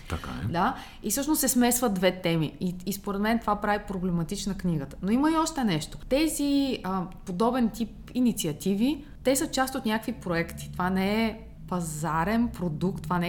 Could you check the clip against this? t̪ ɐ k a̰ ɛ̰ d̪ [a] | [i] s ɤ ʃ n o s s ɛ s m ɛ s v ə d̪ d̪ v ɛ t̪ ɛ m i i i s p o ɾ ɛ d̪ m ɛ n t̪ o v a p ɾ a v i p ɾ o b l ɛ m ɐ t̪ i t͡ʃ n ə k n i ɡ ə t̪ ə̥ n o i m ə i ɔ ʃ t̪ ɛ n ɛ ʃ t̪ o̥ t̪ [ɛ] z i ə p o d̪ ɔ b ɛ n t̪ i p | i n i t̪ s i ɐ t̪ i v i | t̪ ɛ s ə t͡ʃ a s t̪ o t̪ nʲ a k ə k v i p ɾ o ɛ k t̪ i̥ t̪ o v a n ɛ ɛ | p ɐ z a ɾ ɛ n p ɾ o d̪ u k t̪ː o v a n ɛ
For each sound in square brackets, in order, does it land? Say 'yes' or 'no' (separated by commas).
yes, yes, yes